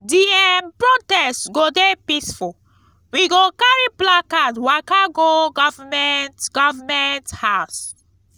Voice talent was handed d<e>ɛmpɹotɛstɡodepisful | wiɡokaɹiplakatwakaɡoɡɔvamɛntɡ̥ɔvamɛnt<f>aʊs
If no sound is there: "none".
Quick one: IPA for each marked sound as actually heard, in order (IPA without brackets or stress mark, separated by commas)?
i, h